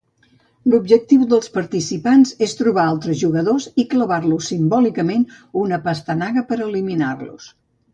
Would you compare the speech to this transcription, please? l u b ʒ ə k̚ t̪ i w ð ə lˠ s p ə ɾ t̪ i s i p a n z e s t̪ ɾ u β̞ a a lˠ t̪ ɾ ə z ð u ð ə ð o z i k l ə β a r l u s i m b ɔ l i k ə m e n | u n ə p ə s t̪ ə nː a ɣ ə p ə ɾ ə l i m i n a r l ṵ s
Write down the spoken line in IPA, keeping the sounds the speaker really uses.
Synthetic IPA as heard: l u b ʒ ə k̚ t̪ i w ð ə lˠ s p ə ɾ t̪ i s i p a n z e s t̪ ɾ u β̞ a a lˠ t̪ ɾ ə z ʒ u ɣ ə ð o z i k l ə β a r l u s i m b ɔ l i k ə m e n | u n ə p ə s t̪ ə n a ɣ ə p ə ɾ ə l i m i n a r l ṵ s